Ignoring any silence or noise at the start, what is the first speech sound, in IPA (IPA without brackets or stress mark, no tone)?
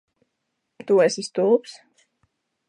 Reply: t̪